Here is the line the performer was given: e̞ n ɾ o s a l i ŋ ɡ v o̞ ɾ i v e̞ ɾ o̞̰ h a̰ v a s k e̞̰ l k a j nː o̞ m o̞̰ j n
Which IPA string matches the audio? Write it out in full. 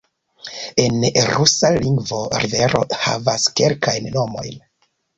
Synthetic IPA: e̞ n ɾ u s a l i ŋ ɡ v o̞ ɾ i v e̞ ɾ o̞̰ h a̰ v a s k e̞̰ l k a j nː o̞ m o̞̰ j n